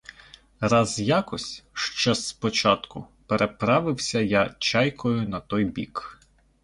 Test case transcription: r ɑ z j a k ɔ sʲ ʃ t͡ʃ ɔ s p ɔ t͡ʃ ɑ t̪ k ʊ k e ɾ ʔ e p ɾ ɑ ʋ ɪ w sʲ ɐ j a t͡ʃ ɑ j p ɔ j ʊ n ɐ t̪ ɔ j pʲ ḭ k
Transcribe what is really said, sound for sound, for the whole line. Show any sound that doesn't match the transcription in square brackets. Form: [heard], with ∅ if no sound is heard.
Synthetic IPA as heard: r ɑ z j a k ɔ sʲ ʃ t͡ʃ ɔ s p ɔ t͡ʃ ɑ t̪ k ʊ [p] e ɾ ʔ e p ɾ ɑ ʋ ɪ w sʲ ɐ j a t͡ʃ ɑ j [k] ɔ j ʊ n ɐ t̪ ɔ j [bʲ] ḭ k